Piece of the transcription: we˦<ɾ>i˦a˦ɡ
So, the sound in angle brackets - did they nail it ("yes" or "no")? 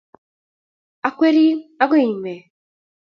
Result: yes